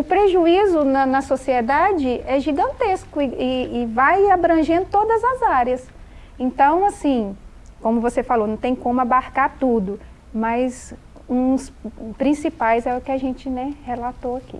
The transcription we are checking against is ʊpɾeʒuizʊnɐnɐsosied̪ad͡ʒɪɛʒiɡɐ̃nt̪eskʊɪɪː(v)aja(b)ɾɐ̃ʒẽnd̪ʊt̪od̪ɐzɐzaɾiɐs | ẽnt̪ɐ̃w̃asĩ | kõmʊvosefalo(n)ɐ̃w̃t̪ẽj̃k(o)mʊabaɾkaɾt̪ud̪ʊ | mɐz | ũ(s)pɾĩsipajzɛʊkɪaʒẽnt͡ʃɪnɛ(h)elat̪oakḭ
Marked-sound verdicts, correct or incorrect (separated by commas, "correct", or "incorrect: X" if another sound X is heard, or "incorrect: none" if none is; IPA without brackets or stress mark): correct, correct, correct, incorrect: õ, correct, correct